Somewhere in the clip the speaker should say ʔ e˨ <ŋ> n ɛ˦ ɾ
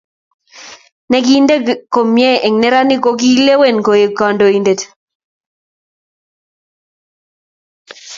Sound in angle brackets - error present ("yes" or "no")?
no